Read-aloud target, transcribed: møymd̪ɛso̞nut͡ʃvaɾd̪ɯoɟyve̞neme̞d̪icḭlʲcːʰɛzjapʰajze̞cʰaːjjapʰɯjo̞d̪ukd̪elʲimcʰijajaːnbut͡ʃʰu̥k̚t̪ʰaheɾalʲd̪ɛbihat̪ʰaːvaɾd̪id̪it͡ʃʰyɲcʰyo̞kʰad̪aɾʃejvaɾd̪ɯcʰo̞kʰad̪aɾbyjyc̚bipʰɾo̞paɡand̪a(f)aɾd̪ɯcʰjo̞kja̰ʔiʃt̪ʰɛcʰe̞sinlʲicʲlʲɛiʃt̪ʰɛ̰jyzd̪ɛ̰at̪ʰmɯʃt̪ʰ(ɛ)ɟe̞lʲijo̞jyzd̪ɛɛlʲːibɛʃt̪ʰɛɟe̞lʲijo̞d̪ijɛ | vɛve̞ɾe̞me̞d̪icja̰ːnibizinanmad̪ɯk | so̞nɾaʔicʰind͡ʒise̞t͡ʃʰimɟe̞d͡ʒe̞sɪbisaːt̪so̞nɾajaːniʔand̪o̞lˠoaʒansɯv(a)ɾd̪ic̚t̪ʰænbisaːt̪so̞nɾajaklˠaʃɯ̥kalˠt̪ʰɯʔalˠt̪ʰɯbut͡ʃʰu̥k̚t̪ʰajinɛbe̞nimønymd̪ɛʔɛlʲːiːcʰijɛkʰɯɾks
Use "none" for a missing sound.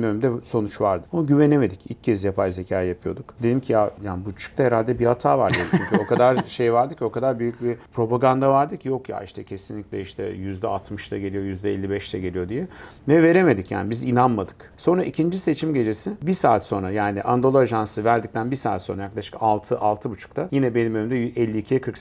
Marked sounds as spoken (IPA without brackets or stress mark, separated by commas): v, a, æ